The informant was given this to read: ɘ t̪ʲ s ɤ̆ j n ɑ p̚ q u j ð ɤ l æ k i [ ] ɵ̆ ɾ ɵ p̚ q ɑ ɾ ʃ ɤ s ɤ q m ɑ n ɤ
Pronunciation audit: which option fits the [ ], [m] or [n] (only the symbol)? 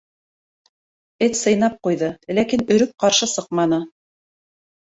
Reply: n